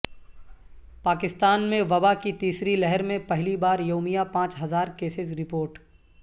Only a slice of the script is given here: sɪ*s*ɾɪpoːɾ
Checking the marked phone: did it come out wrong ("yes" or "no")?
yes